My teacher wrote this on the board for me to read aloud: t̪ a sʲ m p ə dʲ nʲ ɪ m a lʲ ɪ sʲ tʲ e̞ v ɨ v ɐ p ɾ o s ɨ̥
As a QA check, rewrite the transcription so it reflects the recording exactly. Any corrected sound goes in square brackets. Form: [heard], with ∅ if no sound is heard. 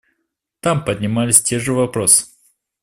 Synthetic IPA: t̪ a [∅] m p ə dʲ nʲ ɪ m a lʲ ɪ sʲ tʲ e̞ [ʐ] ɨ v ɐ p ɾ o s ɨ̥